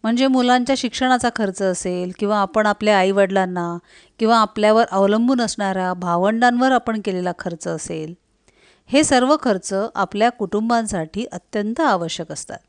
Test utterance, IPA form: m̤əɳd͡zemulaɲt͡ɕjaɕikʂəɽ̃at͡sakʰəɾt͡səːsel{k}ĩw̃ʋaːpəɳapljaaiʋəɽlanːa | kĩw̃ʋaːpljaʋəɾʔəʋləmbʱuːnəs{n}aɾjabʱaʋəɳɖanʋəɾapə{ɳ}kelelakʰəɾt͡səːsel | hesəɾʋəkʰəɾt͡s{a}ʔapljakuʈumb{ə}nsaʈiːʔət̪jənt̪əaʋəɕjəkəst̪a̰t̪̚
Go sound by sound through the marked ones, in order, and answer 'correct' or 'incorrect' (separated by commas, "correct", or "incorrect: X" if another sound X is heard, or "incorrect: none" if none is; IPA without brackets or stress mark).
correct, incorrect: ɳ, correct, incorrect: ə, incorrect: a